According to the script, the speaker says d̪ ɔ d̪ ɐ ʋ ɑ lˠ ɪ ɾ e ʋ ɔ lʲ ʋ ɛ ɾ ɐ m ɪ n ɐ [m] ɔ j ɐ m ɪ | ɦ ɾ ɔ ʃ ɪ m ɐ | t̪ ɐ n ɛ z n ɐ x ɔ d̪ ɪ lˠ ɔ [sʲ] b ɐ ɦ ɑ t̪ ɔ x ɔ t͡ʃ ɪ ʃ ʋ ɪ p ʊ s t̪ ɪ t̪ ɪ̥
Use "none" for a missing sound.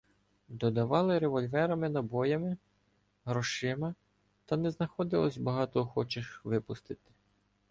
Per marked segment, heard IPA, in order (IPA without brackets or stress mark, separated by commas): b, sʲ